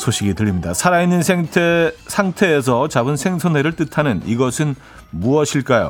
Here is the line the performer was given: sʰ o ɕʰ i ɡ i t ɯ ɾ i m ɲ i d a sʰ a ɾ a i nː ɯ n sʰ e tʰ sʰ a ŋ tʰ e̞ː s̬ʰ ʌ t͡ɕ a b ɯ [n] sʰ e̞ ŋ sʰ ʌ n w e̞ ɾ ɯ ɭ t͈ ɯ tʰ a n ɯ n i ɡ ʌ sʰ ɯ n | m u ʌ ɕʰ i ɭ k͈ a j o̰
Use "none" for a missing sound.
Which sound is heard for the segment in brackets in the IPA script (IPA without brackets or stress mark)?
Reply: n